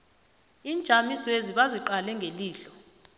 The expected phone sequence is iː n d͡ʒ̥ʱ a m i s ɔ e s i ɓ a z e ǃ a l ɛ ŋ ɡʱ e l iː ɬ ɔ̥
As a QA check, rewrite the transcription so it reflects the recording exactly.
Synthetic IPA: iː n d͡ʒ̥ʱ a m i s ɔ e z i ɓ a z i ǃ a l ɛ ŋ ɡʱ e l iː ɬ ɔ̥